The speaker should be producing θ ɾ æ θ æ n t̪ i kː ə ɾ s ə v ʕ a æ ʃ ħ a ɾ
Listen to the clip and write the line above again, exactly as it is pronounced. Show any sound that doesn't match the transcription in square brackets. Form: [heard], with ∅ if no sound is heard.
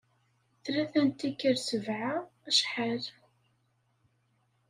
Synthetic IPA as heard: θ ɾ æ θ æ n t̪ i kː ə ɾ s ə v ʕ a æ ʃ ħ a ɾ